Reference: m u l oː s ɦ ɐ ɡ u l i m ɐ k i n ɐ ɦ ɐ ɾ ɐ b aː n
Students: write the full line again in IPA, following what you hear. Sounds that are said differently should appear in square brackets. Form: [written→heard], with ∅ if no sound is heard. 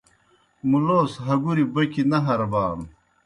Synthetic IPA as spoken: m u l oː s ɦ ɐ ɡ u [l→ɾ] i [m→b] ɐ k i n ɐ ɦ ɐ ɾ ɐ b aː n